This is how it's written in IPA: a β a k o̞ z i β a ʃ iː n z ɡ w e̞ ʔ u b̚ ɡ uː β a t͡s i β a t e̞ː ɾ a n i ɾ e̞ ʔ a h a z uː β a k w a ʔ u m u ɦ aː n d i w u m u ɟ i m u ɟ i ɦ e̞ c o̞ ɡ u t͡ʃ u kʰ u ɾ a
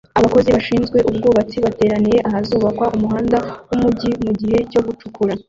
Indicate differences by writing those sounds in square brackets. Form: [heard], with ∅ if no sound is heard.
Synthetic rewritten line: a β a k o̞ z i β a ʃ iː n z ɡ w e̞ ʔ u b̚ ɡ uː β a t͡s i β a t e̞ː ɾ a n i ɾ e̞ ʔ a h a z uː β a k w a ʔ u m u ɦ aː n d [a] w u m u ɟ i m u ɟ i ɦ e̞ c o̞ ɡ u t͡ʃ u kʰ u ɾ a